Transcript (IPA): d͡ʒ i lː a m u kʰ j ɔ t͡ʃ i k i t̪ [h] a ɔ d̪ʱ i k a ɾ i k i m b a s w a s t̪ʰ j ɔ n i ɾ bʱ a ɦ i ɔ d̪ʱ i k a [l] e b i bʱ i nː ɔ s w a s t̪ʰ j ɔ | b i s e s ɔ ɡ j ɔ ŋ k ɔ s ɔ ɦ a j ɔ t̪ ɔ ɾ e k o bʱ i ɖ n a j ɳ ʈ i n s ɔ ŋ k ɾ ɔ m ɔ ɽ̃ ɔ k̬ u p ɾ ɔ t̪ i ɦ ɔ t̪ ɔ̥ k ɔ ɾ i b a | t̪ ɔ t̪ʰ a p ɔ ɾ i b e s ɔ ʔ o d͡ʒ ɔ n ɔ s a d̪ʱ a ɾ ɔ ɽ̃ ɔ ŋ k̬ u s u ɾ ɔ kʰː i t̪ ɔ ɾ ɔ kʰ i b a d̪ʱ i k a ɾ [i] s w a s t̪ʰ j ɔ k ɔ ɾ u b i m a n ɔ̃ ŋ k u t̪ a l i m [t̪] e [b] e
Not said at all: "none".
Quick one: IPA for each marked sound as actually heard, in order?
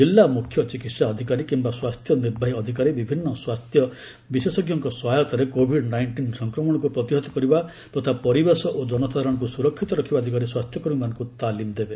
s, ɾ, i, d̪, b

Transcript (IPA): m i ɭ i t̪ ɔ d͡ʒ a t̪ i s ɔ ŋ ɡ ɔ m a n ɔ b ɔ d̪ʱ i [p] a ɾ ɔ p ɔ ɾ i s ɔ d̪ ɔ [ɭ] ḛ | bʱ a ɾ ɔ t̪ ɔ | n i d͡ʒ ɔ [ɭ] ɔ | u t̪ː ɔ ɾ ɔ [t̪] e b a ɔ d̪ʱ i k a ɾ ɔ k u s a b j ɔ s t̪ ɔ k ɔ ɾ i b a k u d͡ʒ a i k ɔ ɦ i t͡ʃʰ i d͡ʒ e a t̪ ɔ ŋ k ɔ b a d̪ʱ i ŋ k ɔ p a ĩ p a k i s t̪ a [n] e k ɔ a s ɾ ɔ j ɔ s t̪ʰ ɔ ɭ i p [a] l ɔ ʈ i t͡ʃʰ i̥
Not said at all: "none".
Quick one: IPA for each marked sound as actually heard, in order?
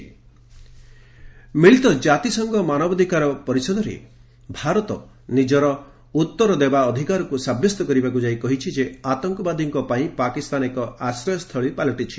k, ɾ, ɾ, d̪, n, a

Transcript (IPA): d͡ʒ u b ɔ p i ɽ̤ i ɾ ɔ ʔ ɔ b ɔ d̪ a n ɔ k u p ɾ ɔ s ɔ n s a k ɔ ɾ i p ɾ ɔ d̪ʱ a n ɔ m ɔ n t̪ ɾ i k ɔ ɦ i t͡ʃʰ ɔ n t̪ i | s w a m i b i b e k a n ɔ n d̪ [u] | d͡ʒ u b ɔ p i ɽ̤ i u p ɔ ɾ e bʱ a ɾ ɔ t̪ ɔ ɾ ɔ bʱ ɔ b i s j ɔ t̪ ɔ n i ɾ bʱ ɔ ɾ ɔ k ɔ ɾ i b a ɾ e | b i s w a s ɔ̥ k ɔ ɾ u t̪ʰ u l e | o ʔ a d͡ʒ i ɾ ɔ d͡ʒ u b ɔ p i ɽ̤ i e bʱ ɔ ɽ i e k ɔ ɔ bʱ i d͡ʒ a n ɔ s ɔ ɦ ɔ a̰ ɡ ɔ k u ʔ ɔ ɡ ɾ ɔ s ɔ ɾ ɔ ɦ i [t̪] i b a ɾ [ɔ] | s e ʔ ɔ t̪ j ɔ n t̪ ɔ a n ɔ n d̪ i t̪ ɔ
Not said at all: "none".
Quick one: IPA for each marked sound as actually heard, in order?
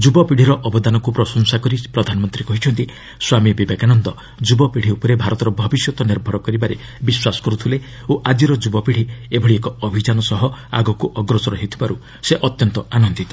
ɔ, t̪ʰ, u

